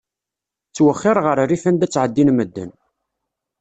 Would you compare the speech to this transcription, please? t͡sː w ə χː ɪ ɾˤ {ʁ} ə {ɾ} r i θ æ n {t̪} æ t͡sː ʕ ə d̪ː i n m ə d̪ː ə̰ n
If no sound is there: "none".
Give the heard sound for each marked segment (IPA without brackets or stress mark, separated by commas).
ʁ, ɾ, d̪